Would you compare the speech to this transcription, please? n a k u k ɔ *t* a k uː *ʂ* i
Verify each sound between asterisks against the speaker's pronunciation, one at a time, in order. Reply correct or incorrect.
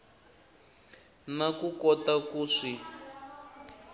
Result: correct, correct

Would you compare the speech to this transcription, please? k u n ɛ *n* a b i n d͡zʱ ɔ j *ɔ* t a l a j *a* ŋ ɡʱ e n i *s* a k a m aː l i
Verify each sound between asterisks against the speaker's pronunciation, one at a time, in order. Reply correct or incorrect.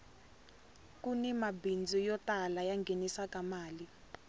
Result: incorrect, correct, correct, correct

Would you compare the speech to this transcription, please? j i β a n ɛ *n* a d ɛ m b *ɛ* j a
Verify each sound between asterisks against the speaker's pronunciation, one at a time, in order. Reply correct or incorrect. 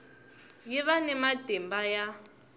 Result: incorrect, incorrect

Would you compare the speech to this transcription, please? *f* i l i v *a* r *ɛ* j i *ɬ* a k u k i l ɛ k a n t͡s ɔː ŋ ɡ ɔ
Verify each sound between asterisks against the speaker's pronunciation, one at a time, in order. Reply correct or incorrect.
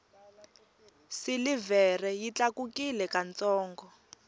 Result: incorrect, incorrect, correct, incorrect

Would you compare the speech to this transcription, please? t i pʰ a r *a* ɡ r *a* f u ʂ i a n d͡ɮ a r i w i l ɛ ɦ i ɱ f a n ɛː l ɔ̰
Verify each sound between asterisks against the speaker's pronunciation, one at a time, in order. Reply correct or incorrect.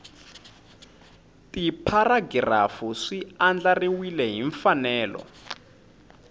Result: correct, correct

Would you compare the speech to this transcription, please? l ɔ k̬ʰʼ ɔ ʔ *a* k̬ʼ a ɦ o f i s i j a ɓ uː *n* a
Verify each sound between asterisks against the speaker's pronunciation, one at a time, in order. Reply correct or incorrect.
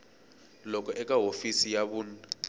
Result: incorrect, correct

